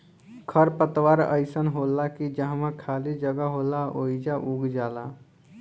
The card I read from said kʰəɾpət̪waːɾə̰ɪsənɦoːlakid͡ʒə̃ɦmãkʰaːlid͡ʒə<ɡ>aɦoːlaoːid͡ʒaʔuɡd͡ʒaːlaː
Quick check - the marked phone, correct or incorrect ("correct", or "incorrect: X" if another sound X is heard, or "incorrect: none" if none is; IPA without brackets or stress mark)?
correct